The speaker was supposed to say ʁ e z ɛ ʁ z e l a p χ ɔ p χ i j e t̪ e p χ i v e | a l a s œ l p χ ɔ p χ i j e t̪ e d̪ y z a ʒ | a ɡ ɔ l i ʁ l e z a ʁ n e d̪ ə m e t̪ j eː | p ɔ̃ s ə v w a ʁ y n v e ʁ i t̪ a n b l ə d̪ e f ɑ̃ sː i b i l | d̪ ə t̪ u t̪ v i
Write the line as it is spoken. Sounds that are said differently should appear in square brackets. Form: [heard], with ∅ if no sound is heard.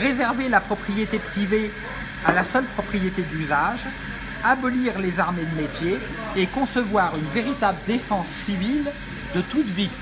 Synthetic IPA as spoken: ʁ e z ɛ ʁ [v] e l a p χ ɔ p χ i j e t̪ e p χ i v e | a l a s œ l p χ ɔ p χ i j e t̪ e d̪ y z a ʒ | a [b] ɔ l i ʁ l e z a ʁ [m] e d̪ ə m e t̪ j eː | [k] ɔ̃ s ə v w a ʁ y n v e ʁ i t̪ a [∅] b l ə d̪ e f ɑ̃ sː i [v] i l | d̪ ə t̪ u t̪ v i